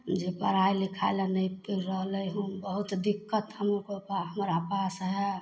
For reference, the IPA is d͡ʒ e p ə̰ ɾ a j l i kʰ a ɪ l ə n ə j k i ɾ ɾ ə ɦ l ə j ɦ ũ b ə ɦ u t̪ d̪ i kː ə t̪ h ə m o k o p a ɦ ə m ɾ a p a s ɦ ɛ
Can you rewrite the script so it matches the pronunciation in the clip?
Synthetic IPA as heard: d͡ʒ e p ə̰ ɾ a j l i kʰ a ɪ l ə n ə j p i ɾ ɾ ə ɦ l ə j ɦ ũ b ə ɦ u t̪ d̪ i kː ə t̪ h ə m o k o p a ɦ ə m ɾ a p a s ɦ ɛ